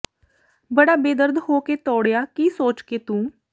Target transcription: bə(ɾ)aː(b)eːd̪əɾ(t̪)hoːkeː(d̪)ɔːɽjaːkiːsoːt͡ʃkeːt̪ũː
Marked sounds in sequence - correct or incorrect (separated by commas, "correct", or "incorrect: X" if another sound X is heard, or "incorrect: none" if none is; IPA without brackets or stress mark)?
incorrect: ɽ, correct, incorrect: d̪, incorrect: t̪